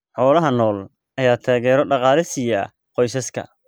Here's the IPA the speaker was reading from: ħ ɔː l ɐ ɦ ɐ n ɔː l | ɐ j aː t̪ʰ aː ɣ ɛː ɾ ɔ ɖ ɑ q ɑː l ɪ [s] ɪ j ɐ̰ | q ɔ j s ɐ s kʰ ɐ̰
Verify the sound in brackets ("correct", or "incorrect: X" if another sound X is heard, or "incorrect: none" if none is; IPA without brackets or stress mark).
correct